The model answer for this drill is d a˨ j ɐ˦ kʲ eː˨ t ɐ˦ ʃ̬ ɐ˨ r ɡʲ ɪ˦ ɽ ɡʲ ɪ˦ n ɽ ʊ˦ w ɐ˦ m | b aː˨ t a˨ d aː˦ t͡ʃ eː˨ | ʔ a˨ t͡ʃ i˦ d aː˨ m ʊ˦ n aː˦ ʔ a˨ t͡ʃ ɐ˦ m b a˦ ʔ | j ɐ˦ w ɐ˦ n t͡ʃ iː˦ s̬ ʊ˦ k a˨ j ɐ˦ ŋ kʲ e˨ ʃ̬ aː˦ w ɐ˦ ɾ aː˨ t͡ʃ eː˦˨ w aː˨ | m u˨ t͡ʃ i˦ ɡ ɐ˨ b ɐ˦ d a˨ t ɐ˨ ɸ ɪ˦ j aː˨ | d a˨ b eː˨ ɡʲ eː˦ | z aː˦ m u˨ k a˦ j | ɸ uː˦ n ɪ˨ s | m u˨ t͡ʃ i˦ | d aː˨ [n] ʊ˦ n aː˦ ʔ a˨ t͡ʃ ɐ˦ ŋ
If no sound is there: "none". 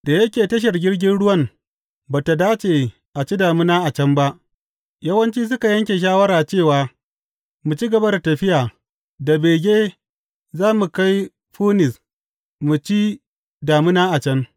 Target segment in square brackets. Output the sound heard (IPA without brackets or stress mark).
m